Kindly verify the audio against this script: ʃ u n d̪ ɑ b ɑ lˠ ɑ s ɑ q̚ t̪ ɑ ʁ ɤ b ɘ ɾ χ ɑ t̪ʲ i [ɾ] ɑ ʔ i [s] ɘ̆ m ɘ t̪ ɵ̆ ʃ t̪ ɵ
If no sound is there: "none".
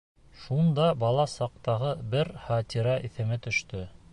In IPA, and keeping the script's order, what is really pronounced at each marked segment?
ɾ, θ

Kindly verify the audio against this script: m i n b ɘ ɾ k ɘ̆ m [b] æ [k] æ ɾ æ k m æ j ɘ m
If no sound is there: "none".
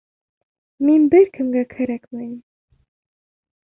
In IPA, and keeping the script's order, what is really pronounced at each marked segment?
ɡ, kʰ

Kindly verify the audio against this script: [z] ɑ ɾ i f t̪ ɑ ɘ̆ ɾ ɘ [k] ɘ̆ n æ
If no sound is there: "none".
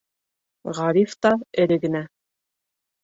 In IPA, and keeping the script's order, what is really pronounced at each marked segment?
ʁ, ɡ

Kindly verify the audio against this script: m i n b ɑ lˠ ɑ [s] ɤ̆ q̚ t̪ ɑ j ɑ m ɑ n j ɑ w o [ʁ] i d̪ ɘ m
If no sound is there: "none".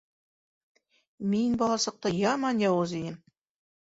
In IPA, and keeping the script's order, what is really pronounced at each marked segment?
s, z

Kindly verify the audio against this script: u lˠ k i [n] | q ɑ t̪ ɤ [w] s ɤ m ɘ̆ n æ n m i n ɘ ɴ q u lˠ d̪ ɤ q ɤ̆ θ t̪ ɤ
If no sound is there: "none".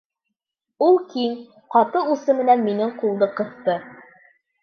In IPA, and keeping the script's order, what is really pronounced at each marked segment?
ŋ, u

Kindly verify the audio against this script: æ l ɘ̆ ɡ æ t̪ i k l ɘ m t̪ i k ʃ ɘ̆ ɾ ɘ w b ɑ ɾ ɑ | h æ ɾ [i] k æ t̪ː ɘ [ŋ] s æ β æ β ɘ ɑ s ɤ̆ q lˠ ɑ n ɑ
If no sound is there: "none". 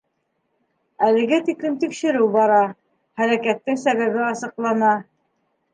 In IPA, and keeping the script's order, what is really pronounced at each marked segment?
æ, ŋ

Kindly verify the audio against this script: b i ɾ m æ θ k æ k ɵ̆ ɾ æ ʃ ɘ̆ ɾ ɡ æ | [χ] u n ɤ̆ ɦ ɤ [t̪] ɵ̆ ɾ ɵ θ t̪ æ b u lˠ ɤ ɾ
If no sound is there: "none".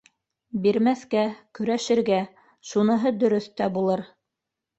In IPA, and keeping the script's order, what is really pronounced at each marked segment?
ʃ, d̪

